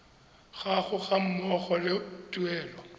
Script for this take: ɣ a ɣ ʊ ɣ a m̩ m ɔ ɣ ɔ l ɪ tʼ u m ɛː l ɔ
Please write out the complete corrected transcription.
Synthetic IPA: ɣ a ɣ ʊ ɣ a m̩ m ɔ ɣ ɔ l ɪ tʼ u ɛː l ɔ